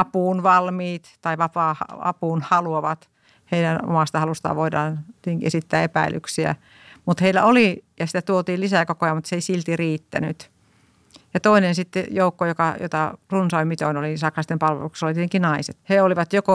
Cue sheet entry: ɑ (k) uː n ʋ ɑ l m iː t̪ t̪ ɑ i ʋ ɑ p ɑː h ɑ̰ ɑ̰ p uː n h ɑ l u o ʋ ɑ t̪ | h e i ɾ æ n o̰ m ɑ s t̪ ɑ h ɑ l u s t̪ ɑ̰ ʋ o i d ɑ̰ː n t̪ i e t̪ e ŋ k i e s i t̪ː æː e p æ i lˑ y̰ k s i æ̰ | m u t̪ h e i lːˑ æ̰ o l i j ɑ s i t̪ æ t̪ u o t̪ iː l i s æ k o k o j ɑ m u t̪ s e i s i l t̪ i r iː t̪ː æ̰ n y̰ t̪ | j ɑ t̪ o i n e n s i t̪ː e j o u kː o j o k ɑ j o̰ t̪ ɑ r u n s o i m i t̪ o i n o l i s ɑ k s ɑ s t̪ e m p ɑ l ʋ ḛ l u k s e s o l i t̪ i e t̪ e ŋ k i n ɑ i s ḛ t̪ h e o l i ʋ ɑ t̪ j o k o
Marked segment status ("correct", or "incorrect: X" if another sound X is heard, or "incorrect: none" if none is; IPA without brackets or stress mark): incorrect: p